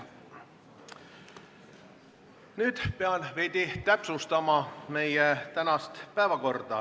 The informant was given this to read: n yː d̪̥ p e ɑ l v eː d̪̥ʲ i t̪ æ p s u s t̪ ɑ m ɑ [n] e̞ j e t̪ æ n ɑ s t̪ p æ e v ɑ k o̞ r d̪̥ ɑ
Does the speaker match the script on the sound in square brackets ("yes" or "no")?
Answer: no